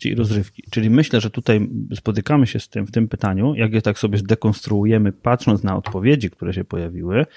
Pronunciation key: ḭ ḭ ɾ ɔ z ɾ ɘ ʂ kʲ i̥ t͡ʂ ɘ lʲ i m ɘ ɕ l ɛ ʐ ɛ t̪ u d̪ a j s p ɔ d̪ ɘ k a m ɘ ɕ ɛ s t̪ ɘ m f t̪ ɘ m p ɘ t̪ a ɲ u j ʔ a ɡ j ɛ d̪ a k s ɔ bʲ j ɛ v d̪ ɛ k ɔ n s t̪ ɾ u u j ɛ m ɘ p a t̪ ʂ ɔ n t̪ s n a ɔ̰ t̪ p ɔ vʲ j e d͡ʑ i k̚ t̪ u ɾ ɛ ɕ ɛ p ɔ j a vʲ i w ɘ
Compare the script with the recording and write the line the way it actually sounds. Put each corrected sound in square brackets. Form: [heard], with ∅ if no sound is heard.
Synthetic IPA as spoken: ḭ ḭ ɾ ɔ z ɾ ɘ [f] kʲ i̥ t͡ʂ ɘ lʲ i m ɘ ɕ l ɛ ʐ ɛ t̪ u [t̪] a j s p ɔ [t̪] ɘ k a m ɘ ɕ ɛ s t̪ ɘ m f t̪ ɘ m p ɘ t̪ a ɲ u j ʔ a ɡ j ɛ [t̪] a k s ɔ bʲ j ɛ [z] d̪ ɛ k ɔ n s t̪ ɾ u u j ɛ m ɘ p a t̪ ʂ ɔ n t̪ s n a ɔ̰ t̪ p ɔ vʲ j e d͡ʑ i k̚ t̪ u ɾ ɛ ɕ ɛ p ɔ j a vʲ i w ɘ